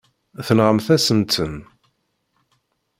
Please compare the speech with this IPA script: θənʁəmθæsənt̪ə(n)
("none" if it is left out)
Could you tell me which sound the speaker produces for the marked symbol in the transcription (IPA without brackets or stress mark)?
n